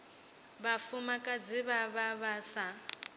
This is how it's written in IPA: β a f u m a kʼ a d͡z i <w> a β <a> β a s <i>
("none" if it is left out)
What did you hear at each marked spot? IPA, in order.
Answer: β, a, a

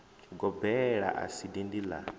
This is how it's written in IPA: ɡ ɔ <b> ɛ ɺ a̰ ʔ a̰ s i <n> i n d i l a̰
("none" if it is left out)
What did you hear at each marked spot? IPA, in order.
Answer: b, d

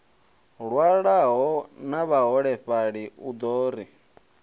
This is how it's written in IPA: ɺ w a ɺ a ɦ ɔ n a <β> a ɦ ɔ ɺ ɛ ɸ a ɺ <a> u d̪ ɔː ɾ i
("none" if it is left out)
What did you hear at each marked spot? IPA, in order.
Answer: β, i

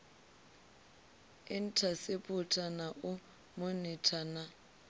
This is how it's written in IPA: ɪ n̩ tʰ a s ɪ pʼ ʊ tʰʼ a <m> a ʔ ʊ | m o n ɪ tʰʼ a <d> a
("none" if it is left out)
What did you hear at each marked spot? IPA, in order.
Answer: n, n

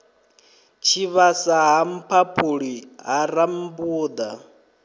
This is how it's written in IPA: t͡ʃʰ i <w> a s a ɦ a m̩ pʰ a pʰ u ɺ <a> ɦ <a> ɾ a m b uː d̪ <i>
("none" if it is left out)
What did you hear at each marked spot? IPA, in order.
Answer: β, i, a, a

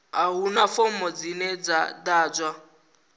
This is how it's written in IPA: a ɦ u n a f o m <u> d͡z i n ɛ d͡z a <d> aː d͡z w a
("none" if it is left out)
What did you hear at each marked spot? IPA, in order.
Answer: ɔ, d

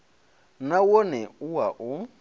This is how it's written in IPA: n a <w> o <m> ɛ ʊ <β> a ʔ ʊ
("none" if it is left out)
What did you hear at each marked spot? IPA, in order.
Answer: w, n, w

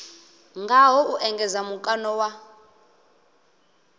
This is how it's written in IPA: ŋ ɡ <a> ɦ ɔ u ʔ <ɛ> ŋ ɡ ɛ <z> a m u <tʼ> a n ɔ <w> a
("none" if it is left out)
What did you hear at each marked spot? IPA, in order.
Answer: a, ɛ, z, kʼ, w

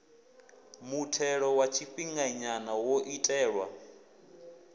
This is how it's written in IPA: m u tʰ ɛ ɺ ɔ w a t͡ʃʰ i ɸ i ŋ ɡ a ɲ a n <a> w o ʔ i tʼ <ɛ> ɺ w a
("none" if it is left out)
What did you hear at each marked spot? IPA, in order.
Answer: a, ɛː

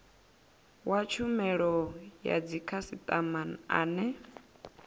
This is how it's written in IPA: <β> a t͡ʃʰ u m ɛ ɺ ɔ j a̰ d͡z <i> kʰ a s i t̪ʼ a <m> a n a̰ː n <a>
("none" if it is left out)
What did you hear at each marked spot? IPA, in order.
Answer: w, i, m, ɛ

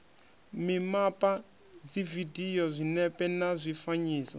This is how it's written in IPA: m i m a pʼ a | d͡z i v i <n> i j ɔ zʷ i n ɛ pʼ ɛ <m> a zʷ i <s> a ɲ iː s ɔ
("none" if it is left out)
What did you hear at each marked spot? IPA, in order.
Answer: d, n, f

